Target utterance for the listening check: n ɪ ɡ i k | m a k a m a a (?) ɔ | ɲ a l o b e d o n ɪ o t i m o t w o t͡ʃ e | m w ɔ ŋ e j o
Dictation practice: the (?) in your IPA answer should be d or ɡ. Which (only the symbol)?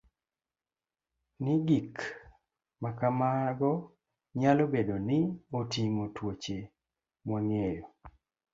ɡ